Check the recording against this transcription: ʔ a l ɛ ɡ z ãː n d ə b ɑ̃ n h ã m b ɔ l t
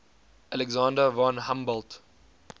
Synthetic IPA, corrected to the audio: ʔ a l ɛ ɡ z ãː n d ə v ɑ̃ n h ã m b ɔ l t